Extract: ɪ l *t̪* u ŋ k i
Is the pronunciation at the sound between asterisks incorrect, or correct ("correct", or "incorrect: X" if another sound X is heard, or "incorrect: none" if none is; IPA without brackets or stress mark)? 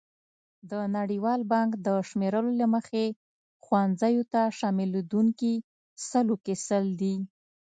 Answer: incorrect: d̪